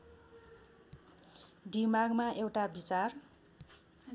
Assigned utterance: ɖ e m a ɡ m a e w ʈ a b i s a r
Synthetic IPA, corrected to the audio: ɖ i m a ɡ m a e w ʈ a b i t͡s a r

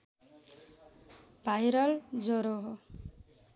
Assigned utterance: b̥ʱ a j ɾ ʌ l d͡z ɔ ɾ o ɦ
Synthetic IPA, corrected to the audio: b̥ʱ a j ɾ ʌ l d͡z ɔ ɾ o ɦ

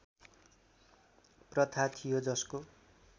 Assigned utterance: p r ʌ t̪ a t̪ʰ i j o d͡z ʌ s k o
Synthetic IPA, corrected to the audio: p r ʌ t̪ʰ a t̪ʰ i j o d͡z ʌ s k o

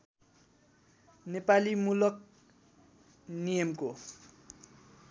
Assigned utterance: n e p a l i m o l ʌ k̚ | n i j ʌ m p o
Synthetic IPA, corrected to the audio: n e p a l i m u l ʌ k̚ | n i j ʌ m k o

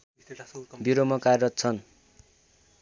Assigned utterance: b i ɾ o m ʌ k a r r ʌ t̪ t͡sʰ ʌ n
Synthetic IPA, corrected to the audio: b i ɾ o m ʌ k a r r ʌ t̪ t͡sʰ ʌ n

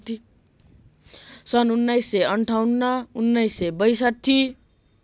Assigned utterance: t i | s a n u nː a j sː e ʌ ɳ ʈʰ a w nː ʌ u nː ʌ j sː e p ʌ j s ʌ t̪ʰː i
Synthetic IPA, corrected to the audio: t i | s ʌ n u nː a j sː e ʌ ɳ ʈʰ a w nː ʌ u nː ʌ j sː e b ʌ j s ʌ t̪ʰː i

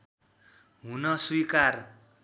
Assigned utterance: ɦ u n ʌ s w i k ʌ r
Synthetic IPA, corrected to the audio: ɦ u n ʌ s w i k a r

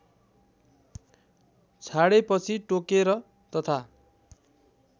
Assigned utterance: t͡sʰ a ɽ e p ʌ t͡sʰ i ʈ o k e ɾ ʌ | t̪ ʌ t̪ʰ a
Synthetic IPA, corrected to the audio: t͡sʰ a ɽ e p ʌ t͡sʰ i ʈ o k e ɾ ʌ | t̪ ʌ t̪ʰ a

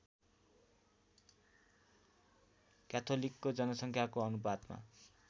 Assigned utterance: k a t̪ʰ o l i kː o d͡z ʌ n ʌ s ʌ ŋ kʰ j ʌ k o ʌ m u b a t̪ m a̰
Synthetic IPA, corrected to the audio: k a t̪ʰ o l i kː o d͡z ʌ n ʌ s ʌ ŋ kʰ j a k o ʌ n u b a d̪ m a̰

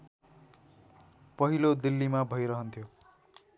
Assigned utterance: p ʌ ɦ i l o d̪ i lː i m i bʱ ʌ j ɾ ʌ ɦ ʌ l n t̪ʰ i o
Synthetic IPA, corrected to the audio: p ʌ ɦ i l o d̪ i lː i m a bʱ ʌ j ɾ ʌ ɦ ʌ n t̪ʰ j o

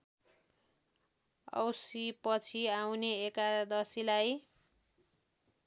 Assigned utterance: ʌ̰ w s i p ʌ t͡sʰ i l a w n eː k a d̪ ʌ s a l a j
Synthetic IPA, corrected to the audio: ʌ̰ w s i p ʌ t͡sʰ i a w n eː k a d̪ ʌ s i l a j

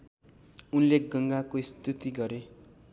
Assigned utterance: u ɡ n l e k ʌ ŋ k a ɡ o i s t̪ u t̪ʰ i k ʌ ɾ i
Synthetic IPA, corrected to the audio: u n l e ɡ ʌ ŋ ɡ a k o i s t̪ u t̪ i ɡ ʌ ɾ e

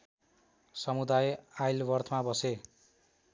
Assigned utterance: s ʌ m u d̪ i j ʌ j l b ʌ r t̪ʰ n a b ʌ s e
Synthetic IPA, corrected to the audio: s ʌ m u d̪ a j a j l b ʌ r t̪ʰ m a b ʌ s e

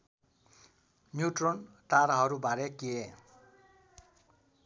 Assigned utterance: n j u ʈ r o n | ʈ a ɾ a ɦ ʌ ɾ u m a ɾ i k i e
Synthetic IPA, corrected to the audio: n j u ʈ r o n | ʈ a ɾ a ɦ ʌ ɾ u b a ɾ e k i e

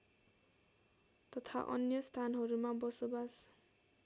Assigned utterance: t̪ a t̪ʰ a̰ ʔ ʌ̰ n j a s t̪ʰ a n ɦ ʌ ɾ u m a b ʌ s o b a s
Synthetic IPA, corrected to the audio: t̪ ʌ t̪ʰ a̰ ʔ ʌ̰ n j ʌ s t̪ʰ a n ɦ ʌ ɾ u m a b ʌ s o b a s

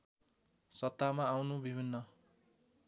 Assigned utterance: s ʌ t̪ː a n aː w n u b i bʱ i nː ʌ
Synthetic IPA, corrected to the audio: s ʌ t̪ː a m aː w n u b i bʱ i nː ʌ

